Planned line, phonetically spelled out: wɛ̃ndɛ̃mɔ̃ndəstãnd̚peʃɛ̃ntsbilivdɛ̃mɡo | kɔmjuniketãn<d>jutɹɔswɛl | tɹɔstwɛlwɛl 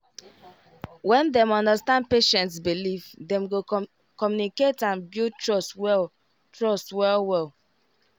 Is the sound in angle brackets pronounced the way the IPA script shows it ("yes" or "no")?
no